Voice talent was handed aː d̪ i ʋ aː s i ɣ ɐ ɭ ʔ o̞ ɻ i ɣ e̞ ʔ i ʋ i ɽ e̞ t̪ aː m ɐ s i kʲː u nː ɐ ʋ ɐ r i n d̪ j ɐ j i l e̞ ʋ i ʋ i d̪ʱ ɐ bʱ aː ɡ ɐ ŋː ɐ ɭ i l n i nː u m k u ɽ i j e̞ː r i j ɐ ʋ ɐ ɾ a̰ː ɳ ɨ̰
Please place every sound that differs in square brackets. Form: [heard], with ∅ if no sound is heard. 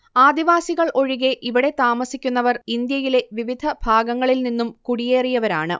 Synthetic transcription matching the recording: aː d̪ i ʋ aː s i ɣ ɐ ɭ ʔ o̞ ɻ i ɣ e̞ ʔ i ʋ i ɽ e̞ t̪ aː m ɐ s i kʲː u nː ɐ ʋ ɐ r i n d̪ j ɐ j i l e̞ ʋ i ʋ i d̪ʱ ɐ bʱ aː ɡ ɐ ŋː ɐ ɭ i l n i nː u m k u ɽ i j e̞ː r i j ɐ ʋ ɐ ɾ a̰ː ɳ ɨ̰